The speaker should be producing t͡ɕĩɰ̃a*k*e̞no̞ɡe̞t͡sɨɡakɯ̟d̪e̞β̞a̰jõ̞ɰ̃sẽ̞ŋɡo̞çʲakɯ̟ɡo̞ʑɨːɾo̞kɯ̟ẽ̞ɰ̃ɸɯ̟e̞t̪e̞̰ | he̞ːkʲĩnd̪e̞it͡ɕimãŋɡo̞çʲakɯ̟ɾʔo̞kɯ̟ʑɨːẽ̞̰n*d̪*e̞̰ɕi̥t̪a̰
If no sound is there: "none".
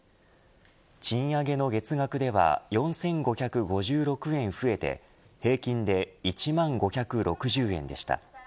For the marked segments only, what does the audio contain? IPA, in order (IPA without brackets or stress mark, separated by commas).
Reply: ɡ, d̪